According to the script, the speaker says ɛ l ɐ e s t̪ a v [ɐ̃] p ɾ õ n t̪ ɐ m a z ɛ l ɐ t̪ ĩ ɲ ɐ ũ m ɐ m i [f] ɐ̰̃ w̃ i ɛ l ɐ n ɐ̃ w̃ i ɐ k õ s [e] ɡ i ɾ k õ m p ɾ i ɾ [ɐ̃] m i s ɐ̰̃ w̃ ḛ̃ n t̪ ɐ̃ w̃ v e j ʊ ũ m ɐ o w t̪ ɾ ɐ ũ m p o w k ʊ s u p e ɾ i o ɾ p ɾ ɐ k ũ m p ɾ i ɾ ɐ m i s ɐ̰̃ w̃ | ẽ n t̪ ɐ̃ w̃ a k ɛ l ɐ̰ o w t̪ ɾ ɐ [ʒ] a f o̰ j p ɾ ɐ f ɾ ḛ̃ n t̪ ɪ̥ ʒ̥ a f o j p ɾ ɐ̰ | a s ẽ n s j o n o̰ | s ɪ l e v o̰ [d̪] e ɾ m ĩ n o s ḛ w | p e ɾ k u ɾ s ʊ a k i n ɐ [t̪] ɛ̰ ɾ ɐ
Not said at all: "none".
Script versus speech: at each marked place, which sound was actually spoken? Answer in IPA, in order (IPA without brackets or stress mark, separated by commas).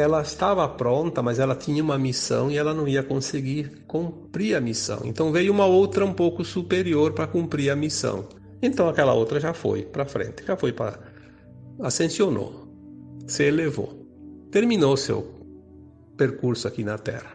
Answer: ɐ, s, e, ɐ, ʒ, t̪, t̪